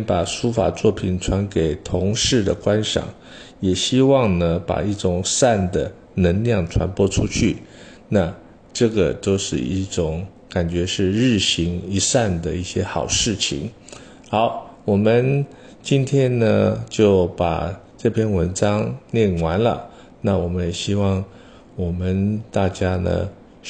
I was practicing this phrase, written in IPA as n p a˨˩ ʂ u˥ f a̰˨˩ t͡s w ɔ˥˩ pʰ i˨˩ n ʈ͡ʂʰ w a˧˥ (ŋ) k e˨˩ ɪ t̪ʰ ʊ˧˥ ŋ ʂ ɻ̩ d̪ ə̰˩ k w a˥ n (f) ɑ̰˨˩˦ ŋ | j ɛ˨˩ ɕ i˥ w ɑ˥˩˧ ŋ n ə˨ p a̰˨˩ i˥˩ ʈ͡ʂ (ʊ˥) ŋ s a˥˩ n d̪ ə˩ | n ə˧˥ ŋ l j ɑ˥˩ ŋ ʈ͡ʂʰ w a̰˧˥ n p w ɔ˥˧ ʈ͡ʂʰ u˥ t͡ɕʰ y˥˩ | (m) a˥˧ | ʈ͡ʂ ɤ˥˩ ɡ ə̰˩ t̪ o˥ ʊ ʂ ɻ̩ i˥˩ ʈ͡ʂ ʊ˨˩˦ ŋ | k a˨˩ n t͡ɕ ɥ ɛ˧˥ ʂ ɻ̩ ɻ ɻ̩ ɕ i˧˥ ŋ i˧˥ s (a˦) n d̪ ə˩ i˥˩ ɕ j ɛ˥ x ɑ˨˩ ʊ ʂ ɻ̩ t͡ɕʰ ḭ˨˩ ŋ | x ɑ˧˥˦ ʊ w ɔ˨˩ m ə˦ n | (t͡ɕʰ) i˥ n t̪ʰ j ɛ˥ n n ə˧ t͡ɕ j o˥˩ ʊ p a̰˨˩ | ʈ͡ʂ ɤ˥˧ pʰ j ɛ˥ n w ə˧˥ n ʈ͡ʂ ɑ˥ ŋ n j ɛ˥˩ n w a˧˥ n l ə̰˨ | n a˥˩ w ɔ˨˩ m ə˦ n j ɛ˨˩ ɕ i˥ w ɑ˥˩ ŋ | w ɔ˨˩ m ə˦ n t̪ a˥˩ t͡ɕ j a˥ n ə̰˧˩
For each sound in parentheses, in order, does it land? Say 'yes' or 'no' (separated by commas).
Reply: no, no, no, no, no, no